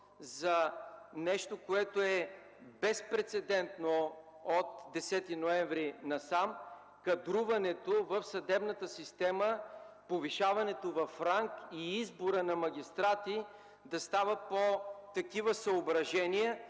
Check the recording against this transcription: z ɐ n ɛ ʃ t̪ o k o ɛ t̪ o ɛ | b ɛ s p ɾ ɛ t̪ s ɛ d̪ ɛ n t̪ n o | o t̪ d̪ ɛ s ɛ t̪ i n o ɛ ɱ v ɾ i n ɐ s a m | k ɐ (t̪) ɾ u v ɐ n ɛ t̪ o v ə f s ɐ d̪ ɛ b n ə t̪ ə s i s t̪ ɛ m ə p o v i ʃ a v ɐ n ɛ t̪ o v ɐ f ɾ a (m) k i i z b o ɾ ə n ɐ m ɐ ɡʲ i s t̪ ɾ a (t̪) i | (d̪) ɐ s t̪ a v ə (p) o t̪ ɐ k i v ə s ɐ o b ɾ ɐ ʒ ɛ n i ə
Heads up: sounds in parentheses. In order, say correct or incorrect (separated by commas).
incorrect, incorrect, correct, correct, correct